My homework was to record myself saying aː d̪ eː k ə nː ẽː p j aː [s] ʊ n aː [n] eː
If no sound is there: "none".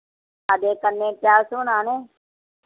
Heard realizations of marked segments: s, n

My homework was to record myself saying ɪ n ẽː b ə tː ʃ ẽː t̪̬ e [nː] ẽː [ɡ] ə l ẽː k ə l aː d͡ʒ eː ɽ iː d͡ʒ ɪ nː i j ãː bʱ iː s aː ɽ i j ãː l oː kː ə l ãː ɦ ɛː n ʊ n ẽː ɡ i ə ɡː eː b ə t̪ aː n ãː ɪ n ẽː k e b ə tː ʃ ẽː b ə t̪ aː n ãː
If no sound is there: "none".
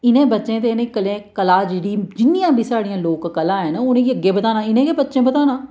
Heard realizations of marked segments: n, k

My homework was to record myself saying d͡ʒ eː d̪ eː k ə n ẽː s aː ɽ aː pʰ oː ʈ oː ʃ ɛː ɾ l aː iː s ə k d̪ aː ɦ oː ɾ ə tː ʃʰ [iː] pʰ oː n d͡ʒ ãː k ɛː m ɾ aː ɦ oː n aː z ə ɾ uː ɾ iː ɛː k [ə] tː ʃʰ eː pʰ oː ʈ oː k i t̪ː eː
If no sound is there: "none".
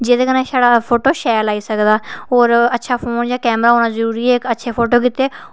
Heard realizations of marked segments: aː, ə

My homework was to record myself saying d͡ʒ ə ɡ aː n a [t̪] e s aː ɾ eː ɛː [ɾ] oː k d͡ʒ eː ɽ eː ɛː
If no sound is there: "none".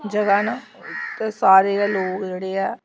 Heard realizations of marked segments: t̪, l

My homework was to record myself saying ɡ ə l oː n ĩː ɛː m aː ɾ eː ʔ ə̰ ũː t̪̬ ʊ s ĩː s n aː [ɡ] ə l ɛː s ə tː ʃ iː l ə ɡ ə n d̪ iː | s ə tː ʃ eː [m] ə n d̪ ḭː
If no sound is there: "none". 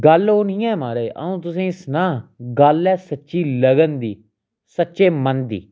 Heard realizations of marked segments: ɡ, m

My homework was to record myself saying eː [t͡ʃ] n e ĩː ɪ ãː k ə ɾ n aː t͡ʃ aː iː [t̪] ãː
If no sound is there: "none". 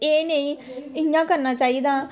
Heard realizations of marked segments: none, d̪

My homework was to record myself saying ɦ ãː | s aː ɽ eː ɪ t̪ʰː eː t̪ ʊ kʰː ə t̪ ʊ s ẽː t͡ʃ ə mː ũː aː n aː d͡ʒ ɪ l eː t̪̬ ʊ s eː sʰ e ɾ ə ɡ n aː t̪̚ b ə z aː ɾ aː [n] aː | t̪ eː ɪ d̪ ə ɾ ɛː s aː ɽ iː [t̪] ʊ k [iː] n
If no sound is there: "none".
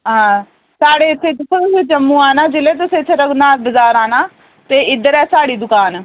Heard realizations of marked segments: n, d̪, aː

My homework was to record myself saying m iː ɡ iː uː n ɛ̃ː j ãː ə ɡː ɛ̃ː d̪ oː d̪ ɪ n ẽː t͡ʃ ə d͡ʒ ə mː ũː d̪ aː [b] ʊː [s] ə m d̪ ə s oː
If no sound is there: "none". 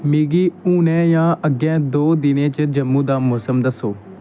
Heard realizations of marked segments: m, s

